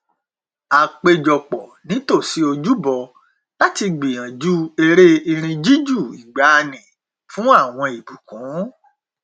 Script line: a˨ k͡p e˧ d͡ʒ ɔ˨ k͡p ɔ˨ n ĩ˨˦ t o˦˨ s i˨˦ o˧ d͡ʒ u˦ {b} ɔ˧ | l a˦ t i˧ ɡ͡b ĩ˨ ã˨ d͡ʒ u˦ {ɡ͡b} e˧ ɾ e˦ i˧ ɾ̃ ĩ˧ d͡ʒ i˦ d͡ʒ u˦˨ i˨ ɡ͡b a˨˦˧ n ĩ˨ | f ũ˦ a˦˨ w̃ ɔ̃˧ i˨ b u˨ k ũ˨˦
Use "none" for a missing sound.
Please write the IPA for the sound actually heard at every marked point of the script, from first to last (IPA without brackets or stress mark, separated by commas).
b, none